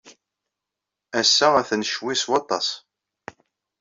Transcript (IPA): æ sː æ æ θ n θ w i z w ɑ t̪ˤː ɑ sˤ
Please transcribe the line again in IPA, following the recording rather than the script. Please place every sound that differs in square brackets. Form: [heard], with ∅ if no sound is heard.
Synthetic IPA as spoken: æ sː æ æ θ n [ʃ] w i [s] w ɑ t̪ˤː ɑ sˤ